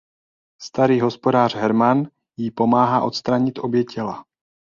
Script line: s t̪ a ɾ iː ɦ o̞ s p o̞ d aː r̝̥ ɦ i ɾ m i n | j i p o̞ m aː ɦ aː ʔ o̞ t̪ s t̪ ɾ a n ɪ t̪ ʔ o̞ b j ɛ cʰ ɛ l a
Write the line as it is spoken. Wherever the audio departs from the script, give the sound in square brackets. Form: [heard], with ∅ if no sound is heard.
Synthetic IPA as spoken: s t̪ a ɾ iː ɦ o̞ s p o̞ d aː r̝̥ ɦ [ɛ] ɾ m [a] n | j i p o̞ m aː ɦ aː ʔ o̞ t̪ s t̪ ɾ a [ɲ] ɪ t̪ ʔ o̞ b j ɛ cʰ ɛ l a

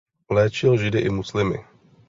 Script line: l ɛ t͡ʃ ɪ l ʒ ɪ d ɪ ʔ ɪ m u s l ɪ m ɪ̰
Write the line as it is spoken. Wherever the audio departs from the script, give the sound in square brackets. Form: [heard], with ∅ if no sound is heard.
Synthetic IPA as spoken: l [ɛː] t͡ʃ ɪ l ʒ ɪ d ɪ ʔ ɪ m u s l ɪ m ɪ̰

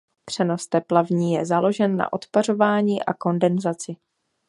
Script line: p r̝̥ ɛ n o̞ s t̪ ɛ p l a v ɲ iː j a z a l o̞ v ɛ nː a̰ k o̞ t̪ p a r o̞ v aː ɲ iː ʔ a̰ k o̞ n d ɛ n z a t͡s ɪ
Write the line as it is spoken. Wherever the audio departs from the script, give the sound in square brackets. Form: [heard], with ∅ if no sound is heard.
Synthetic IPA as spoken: p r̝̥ ɛ n o̞ s t̪ ɛ p l a v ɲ iː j [ɛ] z a l o̞ [ʒ] ɛ nː a̰ [ʔ] o̞ t̪ p a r o̞ v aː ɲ iː ʔ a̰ k o̞ n d ɛ n z a t͡s ɪ

